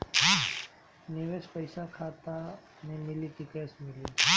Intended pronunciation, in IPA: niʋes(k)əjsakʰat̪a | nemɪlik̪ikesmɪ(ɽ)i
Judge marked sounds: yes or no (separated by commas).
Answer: no, no